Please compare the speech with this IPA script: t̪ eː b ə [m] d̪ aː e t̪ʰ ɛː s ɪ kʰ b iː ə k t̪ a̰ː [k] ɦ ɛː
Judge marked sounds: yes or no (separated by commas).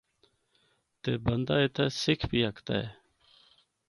no, no